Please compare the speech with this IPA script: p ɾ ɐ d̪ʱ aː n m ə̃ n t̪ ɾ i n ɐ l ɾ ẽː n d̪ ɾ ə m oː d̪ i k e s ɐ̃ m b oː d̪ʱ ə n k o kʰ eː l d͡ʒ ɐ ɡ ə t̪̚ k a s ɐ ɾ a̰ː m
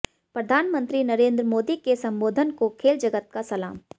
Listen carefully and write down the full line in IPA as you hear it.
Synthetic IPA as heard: p ɾ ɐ d̪ʱ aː n m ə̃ n t̪ ɾ i n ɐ ɾ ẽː n d̪ ɾ ə m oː d̪ i k e s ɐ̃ m b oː d̪ʱ ə n k o kʰ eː l d͡ʒ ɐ ɡ ə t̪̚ k a s ɐ l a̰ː m